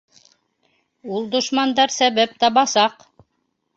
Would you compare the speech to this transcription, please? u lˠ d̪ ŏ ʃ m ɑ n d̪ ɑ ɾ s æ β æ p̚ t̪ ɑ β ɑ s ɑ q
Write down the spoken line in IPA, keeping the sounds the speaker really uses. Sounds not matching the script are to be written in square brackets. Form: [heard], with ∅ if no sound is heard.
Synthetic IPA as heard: u lˠ d̪ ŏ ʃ m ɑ n d̪ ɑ ɾ s æ β æ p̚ t̪ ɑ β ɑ s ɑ q